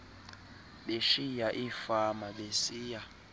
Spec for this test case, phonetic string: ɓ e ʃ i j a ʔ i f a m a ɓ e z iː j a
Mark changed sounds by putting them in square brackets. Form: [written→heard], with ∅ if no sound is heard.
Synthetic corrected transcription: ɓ e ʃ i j a ʔ i f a m a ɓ e [z→s] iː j a